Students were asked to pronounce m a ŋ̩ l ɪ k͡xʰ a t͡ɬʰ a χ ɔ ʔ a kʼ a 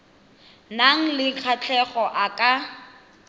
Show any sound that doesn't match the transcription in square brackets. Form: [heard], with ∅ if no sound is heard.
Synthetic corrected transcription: [n] a ŋ̩ l ɪ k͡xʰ a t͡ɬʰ [ɛ] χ ɔ ʔ a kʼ a